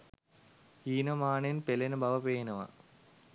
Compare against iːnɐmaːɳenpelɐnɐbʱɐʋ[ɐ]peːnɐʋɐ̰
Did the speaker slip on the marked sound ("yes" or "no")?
no